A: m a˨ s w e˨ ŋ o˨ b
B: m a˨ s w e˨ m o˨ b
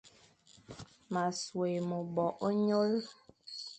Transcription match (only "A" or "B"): B